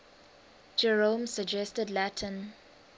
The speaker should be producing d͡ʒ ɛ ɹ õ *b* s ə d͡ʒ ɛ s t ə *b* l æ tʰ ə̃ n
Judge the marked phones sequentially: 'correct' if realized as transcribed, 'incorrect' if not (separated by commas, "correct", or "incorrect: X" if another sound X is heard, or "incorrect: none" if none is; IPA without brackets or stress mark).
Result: incorrect: m, incorrect: d